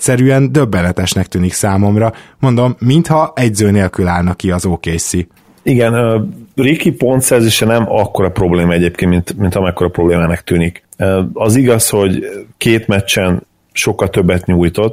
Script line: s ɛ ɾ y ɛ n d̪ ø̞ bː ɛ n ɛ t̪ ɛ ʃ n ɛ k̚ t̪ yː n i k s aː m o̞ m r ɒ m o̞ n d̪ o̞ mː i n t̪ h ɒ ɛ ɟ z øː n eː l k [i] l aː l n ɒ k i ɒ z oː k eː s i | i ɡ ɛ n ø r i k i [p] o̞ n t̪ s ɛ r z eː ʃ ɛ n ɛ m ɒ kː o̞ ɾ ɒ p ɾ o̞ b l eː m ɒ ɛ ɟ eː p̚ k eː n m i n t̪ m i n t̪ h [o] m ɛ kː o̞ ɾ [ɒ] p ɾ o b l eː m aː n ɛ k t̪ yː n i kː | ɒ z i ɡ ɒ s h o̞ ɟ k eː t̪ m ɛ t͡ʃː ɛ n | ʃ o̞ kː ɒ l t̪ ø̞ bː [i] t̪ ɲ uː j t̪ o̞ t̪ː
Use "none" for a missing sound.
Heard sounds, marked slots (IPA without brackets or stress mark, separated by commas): y, p, ɒ, ɒ, ɛ